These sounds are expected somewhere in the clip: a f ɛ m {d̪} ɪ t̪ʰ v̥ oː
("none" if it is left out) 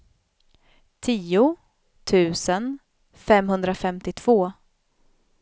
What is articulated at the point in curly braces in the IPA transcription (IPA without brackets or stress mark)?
t̪